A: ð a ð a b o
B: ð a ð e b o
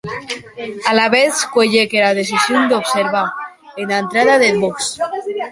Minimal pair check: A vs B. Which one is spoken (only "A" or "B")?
B